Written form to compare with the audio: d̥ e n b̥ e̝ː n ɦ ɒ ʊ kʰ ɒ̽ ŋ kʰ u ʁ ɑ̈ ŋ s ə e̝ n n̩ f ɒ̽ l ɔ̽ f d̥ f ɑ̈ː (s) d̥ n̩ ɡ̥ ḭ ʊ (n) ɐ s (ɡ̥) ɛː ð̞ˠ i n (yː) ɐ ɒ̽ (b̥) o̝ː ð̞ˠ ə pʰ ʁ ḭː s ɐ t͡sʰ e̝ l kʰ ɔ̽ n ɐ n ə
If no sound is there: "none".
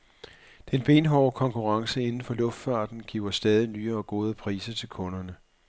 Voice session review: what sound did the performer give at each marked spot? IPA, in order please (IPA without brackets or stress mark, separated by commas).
none, none, d̥, yː, ɡ̥